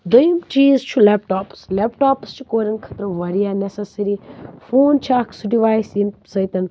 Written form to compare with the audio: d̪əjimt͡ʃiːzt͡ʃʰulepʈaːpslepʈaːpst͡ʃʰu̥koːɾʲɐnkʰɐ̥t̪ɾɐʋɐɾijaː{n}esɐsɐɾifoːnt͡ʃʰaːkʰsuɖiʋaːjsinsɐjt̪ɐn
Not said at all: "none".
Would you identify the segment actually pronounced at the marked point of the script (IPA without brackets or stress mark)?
n